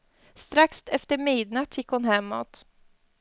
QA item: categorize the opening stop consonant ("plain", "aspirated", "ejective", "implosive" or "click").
plain